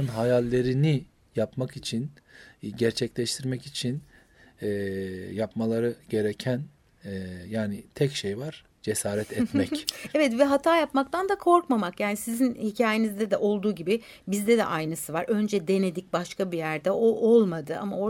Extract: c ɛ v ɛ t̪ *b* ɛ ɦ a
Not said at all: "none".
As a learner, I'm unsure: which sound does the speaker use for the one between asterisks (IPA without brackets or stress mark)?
v